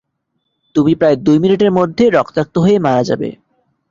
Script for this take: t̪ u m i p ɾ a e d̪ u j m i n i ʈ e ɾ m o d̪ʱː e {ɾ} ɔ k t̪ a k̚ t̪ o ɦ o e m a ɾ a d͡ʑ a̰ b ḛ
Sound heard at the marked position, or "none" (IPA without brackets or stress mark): ɾ